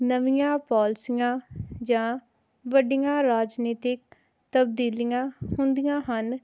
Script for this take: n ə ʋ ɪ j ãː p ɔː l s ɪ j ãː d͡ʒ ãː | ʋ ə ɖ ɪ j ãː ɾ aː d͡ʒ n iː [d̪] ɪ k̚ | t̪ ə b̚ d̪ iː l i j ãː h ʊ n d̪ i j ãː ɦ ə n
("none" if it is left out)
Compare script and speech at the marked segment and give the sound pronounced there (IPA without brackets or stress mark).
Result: t̪